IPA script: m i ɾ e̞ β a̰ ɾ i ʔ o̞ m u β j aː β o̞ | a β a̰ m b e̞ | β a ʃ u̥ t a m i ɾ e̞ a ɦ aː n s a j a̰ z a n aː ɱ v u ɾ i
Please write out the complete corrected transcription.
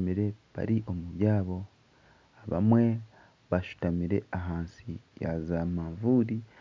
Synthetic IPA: m i ɾ e̞ β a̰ ɾ i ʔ o̞ m u β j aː β o̞ | a β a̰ m w e̞ | β a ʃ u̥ t a m i ɾ e̞ a ɦ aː n s i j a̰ z a m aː ɱ v u ɾ i